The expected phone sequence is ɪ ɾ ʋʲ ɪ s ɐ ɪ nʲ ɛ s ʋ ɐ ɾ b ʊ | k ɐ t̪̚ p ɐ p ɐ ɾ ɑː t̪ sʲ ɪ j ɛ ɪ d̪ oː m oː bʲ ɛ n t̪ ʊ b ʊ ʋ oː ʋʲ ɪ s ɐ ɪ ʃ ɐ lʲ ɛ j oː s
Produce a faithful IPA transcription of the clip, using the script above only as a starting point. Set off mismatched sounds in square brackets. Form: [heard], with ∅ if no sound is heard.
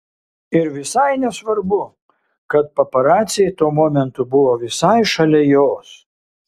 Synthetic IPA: ɪ ɾ ʋʲ ɪ s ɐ ɪ nʲ ɛ s ʋ ɐ ɾ b ʊ | k ɐ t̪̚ p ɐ p ɐ ɾ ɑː t̪ sʲ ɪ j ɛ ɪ [t̪] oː m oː [mʲ] ɛ n t̪ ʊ b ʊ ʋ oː ʋʲ ɪ s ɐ ɪ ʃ ɐ lʲ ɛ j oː s